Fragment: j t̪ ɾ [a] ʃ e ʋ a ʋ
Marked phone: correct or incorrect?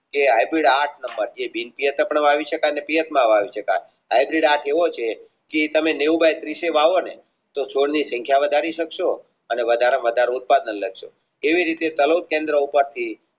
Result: incorrect